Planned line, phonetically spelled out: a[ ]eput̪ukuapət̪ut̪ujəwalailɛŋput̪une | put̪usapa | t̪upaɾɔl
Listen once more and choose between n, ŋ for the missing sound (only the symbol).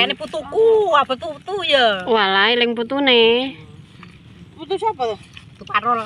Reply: n